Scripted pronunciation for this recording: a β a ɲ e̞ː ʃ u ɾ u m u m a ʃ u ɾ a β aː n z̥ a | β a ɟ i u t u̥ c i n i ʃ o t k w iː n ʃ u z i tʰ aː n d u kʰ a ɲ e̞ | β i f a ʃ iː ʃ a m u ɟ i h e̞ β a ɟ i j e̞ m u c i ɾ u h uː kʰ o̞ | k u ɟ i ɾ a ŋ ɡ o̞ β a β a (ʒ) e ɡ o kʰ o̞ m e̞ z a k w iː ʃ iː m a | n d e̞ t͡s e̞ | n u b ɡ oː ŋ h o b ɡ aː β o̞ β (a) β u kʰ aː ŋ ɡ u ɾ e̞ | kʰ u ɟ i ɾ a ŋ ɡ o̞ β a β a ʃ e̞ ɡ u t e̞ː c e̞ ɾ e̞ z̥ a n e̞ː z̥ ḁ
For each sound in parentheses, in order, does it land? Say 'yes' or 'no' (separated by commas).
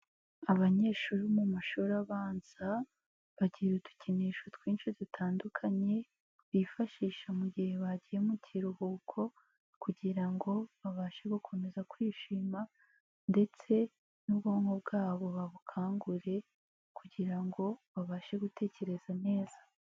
no, yes